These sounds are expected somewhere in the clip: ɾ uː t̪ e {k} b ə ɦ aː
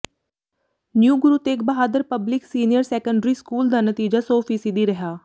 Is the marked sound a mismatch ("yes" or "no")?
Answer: no